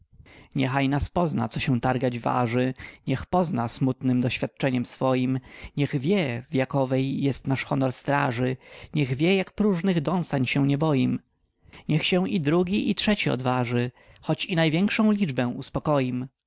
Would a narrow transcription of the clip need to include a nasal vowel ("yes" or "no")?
yes